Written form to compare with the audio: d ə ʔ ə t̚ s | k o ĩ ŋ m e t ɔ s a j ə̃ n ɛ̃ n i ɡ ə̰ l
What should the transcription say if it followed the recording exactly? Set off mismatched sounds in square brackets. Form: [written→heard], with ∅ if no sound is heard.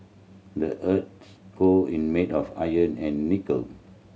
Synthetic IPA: d ə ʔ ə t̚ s | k o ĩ [ŋ→n] m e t ɔ [s→f] a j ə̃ n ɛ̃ [n→nː] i [ɡ→k] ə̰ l